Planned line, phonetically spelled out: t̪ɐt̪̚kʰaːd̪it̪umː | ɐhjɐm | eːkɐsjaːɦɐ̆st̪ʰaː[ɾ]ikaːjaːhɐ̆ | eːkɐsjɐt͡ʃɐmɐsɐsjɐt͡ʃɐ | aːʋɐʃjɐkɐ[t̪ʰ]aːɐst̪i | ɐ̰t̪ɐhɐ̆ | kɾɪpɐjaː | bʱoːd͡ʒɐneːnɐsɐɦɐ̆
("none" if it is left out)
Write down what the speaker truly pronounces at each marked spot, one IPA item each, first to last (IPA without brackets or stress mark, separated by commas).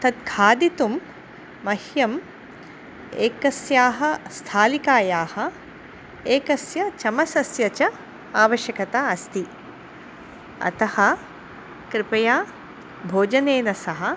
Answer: l, t̪